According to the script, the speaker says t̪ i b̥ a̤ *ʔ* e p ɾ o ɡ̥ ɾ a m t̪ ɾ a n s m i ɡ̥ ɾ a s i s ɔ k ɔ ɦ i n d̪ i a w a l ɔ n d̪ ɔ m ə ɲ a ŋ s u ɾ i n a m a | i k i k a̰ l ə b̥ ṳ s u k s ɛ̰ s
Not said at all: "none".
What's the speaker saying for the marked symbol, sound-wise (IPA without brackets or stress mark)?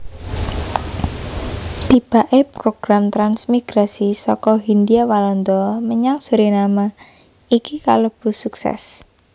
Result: ʔ